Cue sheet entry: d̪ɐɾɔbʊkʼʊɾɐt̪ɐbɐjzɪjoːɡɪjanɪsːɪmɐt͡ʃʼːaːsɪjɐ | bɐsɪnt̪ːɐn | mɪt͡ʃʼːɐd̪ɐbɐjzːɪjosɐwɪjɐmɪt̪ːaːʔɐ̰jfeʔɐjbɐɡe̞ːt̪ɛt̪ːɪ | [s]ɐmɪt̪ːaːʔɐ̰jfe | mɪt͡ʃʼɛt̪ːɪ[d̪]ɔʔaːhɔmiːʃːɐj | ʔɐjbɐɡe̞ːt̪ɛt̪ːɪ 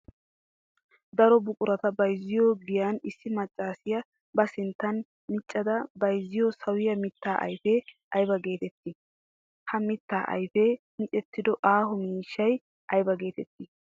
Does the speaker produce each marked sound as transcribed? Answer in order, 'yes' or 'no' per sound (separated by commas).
no, yes